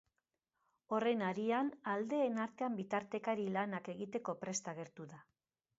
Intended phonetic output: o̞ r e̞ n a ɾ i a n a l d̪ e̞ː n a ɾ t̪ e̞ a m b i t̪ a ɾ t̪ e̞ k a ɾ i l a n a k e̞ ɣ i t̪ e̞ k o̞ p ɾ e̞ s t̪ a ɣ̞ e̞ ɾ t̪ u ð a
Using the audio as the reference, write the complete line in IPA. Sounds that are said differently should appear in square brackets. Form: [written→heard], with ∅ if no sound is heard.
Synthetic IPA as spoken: o̞ r e̞ n a ɾ i a n a l d̪ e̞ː n a ɾ t̪ e̞ a m b i t̪ a ɾ t̪ e̞ k a ɾ i l a n a k e̞ ɣ i t̪ e̞ k o̞ p ɾ e̞ s t̪ a ɣ̞ e̞ ɾ t̪ u ð a